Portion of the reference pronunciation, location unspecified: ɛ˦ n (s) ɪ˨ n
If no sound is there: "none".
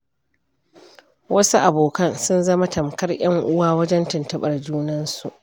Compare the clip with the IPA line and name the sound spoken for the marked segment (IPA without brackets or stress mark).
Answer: t